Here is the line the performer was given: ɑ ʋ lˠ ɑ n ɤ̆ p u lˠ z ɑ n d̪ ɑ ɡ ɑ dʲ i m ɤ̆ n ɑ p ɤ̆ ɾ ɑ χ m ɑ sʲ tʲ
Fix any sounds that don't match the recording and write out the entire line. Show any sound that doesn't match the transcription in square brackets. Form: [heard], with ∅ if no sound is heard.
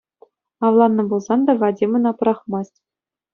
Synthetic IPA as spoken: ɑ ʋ lˠ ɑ [nː] ɤ̆ [b] u lˠ z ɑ n d̪ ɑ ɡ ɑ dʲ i m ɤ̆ n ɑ p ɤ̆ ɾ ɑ χ m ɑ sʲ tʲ